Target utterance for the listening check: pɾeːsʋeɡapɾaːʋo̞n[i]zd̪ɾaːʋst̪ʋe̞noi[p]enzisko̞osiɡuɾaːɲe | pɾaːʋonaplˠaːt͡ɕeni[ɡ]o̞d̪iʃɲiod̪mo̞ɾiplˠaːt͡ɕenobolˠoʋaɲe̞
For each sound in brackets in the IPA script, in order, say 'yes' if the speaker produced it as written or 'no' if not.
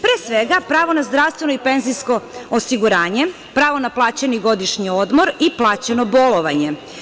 no, yes, yes

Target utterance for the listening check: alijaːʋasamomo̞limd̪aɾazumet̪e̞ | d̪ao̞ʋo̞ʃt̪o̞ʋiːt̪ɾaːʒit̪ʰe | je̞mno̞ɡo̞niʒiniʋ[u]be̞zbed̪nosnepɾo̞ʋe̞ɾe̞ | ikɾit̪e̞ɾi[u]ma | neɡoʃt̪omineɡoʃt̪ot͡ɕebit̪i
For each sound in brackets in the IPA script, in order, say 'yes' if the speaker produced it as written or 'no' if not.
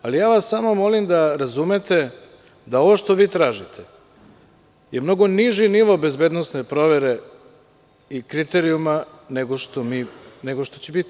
no, yes

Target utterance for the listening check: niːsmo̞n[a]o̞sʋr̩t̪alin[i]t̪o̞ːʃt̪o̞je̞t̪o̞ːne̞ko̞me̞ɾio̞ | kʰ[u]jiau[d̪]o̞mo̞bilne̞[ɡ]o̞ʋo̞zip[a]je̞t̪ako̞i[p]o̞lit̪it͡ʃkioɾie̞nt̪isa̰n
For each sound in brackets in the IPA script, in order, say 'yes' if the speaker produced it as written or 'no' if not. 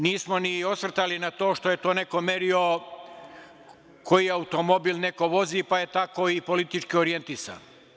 no, no, no, no, no, yes, yes

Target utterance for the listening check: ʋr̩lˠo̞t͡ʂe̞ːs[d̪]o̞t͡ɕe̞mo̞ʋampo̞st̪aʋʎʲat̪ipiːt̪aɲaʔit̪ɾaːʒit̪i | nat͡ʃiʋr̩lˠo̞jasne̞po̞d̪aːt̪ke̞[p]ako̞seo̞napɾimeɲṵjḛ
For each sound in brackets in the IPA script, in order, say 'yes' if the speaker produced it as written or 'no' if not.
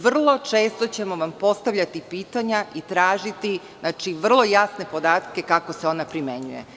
no, no

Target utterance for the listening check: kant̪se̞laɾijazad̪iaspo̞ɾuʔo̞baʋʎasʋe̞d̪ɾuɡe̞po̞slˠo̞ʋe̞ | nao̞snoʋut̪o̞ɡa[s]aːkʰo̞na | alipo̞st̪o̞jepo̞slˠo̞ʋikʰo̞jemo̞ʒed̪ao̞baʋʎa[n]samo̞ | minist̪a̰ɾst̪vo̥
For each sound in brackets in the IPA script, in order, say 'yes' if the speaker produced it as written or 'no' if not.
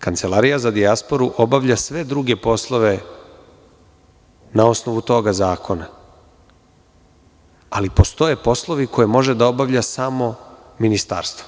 no, no

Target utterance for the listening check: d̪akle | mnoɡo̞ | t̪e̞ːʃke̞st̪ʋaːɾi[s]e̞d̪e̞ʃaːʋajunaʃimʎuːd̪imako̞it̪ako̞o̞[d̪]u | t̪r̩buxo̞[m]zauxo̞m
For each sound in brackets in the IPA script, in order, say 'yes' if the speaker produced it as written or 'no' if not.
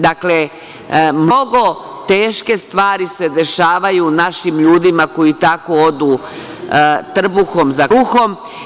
yes, yes, yes

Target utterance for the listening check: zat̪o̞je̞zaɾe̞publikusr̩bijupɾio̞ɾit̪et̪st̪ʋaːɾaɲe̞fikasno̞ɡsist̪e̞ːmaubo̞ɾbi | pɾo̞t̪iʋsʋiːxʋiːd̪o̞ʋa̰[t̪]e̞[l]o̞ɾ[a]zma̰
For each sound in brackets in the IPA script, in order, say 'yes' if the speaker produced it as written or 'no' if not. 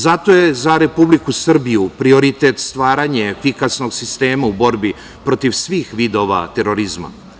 yes, no, no

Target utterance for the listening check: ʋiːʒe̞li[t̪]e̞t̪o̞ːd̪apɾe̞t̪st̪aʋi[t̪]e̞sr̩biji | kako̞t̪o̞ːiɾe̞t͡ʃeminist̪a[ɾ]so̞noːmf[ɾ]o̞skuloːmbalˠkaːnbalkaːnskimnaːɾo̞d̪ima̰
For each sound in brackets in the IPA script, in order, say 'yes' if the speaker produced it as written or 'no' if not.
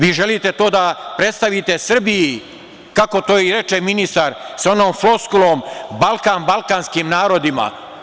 yes, yes, yes, no

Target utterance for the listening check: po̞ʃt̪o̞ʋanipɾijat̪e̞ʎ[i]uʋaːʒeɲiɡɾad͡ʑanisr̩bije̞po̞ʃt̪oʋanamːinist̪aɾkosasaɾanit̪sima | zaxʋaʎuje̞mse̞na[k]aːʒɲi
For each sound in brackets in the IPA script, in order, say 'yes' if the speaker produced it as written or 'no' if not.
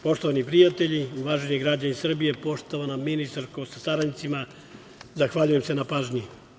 yes, no

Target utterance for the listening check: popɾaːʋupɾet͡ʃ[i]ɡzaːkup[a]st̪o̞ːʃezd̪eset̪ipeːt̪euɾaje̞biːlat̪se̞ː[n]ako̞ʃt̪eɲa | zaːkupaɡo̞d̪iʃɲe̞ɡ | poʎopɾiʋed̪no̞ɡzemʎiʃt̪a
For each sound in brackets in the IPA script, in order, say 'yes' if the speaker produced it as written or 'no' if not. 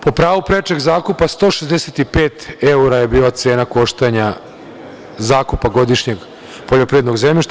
no, yes, yes

